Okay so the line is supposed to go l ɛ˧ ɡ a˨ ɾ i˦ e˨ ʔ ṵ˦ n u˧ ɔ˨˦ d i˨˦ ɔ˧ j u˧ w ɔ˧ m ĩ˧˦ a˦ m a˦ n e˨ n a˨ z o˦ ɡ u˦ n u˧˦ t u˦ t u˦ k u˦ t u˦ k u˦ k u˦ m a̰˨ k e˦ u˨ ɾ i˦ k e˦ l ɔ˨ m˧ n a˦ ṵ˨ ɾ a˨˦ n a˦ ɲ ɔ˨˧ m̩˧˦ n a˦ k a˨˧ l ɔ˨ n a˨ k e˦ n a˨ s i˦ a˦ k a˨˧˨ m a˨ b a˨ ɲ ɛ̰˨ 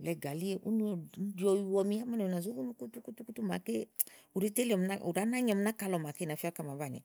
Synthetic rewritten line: l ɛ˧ ɡ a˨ l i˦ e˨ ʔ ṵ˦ n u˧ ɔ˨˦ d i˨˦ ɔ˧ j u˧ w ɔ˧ m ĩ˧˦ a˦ m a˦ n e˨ n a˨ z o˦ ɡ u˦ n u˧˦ k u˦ t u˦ k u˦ t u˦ k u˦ t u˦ m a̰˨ k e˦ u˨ ɾ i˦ t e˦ l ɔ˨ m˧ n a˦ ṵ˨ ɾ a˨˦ n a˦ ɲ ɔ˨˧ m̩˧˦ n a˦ k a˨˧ l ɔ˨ m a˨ k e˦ n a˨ f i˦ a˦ k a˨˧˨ m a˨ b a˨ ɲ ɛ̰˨

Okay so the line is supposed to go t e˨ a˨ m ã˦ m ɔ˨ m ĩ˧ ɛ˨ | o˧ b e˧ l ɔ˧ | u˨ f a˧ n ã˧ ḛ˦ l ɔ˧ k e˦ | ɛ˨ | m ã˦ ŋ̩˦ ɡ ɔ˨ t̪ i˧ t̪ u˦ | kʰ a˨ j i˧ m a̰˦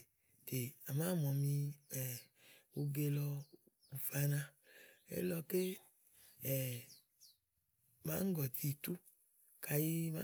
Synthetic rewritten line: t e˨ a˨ m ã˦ m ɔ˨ m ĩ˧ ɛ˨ | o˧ ɡ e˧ l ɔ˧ | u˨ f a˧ n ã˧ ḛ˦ l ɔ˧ k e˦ | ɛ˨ | m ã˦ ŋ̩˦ ɡ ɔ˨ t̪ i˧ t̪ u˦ | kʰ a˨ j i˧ m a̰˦

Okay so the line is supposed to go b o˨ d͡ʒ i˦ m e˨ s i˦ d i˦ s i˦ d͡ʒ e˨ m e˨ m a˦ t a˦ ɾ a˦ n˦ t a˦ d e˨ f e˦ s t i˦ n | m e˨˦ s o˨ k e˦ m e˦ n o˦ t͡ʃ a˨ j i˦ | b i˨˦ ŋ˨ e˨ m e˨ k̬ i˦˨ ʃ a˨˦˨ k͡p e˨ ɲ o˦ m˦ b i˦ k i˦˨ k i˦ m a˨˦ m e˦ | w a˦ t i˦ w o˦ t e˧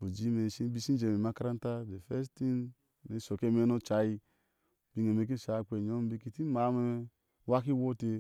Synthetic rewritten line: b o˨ d͡ʒ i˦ m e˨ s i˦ b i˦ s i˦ d͡ʒ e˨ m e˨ m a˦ k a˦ ɾ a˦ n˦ t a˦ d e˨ f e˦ s t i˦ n | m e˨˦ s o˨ k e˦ m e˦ n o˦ t͡ʃ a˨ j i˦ | b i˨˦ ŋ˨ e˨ m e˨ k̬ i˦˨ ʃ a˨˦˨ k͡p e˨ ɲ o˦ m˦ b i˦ k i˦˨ t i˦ m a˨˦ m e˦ | w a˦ k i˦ w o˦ t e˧

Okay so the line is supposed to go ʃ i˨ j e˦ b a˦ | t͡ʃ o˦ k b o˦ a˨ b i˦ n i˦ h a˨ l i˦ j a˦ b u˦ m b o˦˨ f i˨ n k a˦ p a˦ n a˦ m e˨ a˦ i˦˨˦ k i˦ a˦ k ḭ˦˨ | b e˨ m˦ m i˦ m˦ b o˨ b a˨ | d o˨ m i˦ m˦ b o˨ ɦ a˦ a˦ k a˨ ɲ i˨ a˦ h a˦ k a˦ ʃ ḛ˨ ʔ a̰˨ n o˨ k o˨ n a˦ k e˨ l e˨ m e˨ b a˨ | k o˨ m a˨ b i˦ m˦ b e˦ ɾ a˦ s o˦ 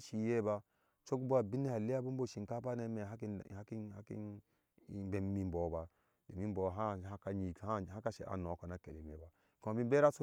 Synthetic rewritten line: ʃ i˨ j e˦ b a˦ | t͡ʃ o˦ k b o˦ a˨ b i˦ n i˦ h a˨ l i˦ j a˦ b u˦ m b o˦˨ ʃ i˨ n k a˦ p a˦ n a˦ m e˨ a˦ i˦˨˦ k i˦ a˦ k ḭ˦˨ | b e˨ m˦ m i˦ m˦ b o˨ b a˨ | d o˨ m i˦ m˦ b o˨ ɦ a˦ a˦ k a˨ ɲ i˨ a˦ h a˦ k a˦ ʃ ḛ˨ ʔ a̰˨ n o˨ k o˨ n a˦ k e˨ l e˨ m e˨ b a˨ | k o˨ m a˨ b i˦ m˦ b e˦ ɾ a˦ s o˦

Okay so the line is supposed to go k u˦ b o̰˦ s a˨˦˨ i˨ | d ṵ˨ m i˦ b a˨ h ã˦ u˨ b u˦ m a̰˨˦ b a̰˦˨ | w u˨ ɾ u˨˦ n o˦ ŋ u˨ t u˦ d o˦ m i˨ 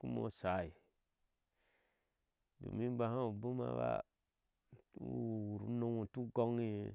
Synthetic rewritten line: k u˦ m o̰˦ s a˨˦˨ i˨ | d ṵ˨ m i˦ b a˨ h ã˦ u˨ b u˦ m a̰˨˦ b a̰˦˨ | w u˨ ɾ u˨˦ n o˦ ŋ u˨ t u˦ ɡ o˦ ŋ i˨

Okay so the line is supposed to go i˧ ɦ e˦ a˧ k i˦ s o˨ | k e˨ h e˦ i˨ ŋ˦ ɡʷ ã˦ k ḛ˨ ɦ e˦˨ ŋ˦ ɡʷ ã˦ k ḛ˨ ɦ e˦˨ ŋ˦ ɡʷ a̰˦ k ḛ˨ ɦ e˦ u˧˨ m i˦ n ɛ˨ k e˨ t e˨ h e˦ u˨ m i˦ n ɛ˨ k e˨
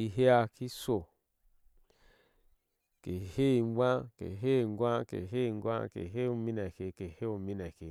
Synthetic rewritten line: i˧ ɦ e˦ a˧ k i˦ s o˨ | k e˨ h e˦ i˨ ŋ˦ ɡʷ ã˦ k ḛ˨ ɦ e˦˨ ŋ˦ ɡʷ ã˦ k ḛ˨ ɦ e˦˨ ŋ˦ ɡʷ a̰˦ k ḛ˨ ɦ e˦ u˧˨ m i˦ n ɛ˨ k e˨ k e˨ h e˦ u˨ m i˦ n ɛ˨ k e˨

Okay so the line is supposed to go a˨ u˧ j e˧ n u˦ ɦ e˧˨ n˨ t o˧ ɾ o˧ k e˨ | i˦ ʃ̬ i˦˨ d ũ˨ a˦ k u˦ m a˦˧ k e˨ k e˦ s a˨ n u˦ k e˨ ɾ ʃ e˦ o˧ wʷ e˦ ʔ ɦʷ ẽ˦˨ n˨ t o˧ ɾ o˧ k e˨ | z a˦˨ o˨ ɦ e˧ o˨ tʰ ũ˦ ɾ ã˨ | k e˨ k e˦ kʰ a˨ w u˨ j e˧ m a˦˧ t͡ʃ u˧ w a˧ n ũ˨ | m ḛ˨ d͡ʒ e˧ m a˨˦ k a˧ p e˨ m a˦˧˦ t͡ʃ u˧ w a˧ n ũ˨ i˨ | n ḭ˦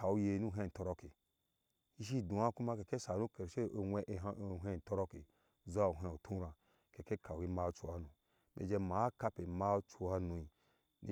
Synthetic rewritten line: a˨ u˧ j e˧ n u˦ ɦ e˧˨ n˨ t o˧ ɾ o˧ k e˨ | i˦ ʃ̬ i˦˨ d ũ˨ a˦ k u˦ m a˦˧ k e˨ k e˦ s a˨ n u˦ k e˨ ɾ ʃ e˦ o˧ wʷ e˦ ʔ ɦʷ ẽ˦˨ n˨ t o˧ ɾ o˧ k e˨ | z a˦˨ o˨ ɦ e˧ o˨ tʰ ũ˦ ɾ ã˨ | k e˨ k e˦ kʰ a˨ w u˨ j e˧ m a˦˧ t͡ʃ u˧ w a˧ n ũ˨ | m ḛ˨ d͡ʒ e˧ m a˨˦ k a˧ p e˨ m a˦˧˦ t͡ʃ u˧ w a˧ n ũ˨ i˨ | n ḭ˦

